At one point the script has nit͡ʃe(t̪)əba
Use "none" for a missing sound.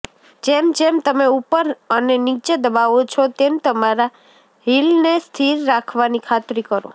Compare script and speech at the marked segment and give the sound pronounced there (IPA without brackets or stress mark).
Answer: d̪